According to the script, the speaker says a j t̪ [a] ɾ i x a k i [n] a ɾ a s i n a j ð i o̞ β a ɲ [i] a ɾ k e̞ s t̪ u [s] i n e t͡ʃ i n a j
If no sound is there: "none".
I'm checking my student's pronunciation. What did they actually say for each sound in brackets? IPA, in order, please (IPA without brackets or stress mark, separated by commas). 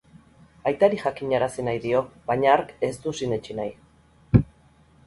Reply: a, ɲ, a, s